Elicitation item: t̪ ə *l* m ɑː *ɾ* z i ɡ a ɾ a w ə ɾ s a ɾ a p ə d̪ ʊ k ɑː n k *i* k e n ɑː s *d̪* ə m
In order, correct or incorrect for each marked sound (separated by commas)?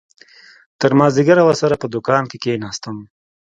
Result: incorrect, incorrect, incorrect, incorrect